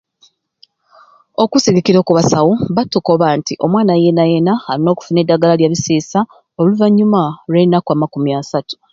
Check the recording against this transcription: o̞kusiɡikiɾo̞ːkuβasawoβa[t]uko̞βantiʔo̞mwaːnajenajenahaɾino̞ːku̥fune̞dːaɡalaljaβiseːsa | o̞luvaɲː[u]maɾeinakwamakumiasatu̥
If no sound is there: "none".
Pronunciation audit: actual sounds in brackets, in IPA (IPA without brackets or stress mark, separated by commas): t, u